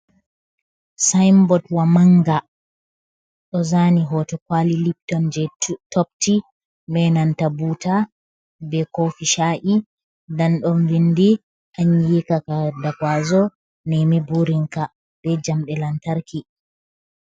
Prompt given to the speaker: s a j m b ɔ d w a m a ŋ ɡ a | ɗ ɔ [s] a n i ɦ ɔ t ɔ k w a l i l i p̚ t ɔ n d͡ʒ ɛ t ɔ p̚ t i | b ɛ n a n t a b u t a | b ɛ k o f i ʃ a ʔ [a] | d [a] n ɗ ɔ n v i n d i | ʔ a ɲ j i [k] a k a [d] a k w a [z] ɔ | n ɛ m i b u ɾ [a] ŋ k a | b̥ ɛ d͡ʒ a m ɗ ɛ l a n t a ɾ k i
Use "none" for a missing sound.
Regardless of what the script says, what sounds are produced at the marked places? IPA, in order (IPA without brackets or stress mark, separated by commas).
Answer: z, i, a, k, d, z, i